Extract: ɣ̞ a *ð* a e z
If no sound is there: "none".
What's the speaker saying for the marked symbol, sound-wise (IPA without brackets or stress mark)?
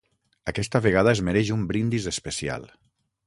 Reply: ð